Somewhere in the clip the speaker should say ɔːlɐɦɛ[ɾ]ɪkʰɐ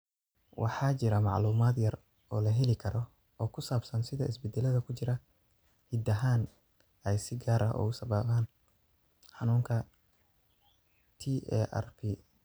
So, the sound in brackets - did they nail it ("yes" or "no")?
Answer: no